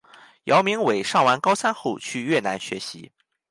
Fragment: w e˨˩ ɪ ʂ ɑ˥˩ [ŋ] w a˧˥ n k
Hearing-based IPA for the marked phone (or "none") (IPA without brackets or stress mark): ŋ